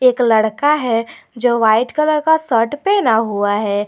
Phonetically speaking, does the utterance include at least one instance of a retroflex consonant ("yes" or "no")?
yes